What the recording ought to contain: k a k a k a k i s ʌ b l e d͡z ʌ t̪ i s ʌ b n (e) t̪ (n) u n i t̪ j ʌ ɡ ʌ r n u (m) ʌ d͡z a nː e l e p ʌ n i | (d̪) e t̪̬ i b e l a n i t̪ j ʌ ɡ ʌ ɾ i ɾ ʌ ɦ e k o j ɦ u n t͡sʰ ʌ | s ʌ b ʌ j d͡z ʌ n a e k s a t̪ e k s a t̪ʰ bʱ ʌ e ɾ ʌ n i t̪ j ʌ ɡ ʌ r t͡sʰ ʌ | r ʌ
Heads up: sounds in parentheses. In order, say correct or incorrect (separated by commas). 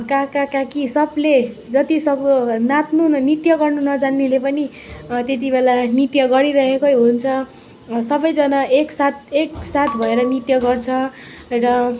incorrect, correct, incorrect, incorrect